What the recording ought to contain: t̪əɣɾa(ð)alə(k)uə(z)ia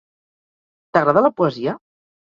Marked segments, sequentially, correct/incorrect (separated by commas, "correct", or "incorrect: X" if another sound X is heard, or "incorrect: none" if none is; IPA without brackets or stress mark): correct, incorrect: p, correct